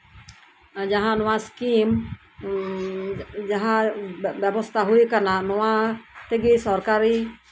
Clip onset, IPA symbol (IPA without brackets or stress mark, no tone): d͡ʒ